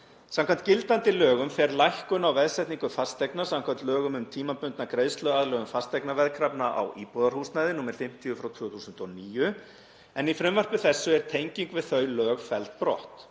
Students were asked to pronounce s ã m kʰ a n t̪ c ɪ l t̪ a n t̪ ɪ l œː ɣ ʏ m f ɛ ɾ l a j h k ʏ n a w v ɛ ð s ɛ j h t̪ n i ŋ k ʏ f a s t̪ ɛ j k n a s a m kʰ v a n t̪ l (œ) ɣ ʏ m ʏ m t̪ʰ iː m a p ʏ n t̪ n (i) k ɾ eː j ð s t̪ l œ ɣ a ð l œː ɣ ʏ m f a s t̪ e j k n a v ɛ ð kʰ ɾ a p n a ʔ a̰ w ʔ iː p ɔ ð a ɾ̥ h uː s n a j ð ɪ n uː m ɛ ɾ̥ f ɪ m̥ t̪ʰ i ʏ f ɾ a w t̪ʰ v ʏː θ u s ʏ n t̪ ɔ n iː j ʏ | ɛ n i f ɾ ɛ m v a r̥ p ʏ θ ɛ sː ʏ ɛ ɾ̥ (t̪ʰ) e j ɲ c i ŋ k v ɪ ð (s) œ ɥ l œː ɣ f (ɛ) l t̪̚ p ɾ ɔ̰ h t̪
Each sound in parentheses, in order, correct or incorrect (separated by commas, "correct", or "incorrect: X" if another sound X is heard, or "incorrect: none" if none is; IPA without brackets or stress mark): incorrect: œː, incorrect: a, correct, incorrect: θ, correct